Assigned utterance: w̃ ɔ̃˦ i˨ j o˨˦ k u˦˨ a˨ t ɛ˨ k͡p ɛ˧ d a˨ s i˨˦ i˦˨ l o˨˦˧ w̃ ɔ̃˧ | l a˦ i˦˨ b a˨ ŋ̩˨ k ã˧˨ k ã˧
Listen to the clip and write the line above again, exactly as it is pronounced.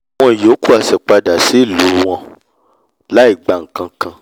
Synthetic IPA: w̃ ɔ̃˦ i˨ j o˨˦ k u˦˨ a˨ s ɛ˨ k͡p a˧ d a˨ s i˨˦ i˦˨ l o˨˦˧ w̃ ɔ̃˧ | l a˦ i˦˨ ɡ͡b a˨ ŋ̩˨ k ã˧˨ k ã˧

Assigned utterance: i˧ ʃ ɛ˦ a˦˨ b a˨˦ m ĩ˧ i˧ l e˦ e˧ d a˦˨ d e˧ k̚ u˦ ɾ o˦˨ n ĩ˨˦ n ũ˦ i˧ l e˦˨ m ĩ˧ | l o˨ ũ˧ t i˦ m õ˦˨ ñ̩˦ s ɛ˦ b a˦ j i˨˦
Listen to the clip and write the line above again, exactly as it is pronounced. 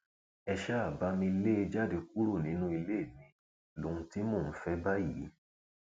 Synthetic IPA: ɛ˧ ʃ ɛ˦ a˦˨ b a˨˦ m ĩ˧ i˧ l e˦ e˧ d͡ʒ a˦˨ d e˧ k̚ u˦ ɾ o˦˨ n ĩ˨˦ n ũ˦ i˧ l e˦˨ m ĩ˧ | l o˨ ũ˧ t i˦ m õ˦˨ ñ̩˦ f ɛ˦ b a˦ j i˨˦

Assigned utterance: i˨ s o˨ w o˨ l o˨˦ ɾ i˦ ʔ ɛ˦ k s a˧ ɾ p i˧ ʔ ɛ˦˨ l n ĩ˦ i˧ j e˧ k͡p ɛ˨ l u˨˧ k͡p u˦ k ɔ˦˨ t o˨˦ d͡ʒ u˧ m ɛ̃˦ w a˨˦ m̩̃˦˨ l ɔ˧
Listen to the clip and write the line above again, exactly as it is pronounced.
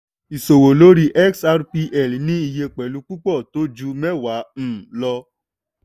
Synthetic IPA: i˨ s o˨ w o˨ l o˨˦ ɾ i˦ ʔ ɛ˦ k s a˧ ɾ p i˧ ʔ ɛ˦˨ l n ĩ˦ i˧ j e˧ k͡p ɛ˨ l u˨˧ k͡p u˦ k͡p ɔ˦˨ t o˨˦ d͡ʒ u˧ m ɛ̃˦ w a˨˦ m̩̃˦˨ l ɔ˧

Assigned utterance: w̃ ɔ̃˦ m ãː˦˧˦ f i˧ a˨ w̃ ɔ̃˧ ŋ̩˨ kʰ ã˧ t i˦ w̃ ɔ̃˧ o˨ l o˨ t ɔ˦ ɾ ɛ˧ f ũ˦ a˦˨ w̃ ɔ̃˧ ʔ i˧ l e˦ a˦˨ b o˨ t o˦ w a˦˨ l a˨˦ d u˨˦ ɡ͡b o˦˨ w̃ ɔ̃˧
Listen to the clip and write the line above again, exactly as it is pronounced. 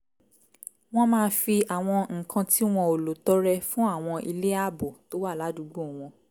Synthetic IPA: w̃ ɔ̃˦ m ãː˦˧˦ f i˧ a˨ w̃ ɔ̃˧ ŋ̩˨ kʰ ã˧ t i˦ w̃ ɔ̃˧ o˨ l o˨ t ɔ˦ ɾ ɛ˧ f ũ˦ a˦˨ w̃ ɔ̃˧ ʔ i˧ l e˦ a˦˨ b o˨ t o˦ w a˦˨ l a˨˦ d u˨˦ ɡ͡b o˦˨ w̃ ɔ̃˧

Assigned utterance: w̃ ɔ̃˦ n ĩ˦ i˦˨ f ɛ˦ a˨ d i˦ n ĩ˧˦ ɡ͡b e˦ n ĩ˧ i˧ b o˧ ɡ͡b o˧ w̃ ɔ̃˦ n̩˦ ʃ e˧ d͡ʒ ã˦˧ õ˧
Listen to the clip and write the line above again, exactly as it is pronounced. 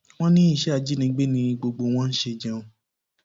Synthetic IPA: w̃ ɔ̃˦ n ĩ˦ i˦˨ ʃ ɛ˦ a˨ d͡ʒ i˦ n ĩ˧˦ ɡ͡b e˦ n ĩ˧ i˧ ɡ͡b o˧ ɡ͡b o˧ w̃ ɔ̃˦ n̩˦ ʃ e˧ d͡ʒ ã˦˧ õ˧

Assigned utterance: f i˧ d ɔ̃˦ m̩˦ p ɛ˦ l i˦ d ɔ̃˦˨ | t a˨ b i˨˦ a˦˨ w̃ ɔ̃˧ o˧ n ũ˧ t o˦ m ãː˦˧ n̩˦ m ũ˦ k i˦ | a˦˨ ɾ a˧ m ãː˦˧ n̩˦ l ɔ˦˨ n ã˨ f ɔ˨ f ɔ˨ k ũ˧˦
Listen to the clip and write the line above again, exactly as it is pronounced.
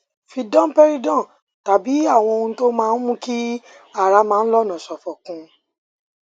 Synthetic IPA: f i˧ d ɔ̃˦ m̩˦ p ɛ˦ ɾ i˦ d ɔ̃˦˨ | t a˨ b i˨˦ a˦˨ w̃ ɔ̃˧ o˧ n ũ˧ t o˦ m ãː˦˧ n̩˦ m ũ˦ k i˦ | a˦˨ ɾ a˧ m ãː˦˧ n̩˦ l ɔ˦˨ n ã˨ s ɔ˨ f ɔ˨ k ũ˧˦

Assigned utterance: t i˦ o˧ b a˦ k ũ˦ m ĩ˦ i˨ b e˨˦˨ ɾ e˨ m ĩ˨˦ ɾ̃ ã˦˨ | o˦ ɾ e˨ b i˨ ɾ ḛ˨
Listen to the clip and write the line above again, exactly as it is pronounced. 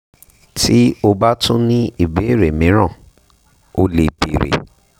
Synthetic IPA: t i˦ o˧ b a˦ t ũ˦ n ĩ˦ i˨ b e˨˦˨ ɾ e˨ m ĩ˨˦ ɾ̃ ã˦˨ | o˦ l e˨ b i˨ ɾ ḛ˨

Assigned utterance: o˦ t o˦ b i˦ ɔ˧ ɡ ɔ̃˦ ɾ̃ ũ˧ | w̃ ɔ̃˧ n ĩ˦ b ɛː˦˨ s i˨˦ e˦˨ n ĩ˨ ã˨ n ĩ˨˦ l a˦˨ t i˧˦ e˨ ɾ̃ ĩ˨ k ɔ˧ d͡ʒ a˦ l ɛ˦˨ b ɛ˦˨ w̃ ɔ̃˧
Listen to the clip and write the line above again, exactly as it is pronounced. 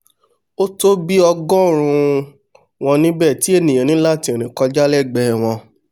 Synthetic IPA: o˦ t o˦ b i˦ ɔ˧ ɡ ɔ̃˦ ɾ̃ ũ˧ | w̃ ɔ̃˧ n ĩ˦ b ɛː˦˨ t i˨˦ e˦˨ n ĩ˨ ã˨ n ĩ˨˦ l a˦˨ t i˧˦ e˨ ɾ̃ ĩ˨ k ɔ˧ d͡ʒ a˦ l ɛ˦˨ ɡ͡b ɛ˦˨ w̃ ɔ̃˧

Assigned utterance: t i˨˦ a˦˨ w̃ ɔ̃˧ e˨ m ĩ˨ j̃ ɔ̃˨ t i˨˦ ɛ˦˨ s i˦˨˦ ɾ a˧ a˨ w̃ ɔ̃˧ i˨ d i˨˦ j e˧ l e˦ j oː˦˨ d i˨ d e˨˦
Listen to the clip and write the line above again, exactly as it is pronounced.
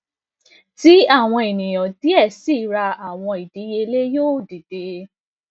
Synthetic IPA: t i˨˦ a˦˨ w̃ ɔ̃˧ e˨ n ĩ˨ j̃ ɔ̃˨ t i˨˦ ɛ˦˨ s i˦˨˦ ɾ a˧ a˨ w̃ ɔ̃˧ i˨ d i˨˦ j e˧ l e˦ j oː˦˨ d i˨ d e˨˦

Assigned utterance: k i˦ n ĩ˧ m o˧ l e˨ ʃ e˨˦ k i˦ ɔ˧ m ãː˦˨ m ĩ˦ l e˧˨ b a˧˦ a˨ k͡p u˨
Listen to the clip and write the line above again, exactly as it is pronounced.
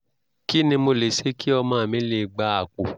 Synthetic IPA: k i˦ n ĩ˧ m o˧ l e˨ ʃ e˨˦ k i˦ ɔ˧ m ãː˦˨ m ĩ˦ l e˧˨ ɡ͡b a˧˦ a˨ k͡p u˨

